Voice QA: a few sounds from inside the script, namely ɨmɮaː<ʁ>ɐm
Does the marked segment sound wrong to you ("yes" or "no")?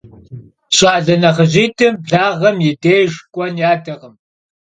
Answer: no